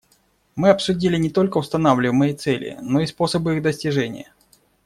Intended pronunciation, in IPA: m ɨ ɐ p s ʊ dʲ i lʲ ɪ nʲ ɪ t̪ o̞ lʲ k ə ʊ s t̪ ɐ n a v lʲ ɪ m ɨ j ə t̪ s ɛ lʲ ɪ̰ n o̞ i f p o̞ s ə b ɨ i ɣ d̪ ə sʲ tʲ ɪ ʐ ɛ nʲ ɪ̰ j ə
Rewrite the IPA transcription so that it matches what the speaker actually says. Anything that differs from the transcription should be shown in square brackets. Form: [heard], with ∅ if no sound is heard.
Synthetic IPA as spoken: m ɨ ɐ p s ʊ dʲ i lʲ ɪ nʲ ɪ t̪ o̞ lʲ k ə ʊ s t̪ ɐ n a v lʲ ɪ m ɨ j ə t̪ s ɛ lʲ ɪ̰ n o̞ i [s] p o̞ s ə b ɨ i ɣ d̪ ə sʲ tʲ ɪ ʐ ɛ nʲ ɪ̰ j ə